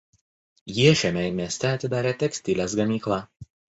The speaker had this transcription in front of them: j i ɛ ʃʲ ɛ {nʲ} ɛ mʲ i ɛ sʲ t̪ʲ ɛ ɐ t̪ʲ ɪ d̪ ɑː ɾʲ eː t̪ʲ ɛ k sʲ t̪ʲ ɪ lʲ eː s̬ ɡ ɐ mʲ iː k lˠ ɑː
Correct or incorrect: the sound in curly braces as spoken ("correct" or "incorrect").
incorrect